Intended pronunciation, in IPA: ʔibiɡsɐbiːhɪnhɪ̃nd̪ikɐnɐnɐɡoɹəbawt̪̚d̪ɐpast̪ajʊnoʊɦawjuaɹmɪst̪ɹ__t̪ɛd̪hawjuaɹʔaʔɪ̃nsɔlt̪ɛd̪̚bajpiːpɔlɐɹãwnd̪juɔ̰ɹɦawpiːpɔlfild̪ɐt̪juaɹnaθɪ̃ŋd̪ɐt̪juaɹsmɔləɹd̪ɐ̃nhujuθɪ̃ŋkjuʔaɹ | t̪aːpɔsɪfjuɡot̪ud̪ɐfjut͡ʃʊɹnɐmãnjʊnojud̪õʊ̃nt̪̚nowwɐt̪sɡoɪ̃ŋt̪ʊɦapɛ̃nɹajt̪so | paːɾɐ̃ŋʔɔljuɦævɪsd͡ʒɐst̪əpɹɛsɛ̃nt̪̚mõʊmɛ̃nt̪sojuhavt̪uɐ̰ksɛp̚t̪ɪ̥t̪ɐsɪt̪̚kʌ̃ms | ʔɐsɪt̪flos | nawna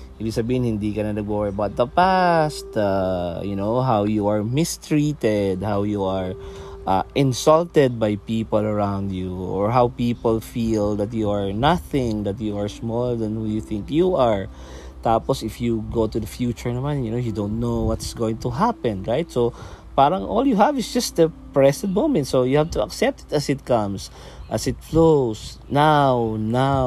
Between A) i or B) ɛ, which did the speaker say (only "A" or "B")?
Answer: A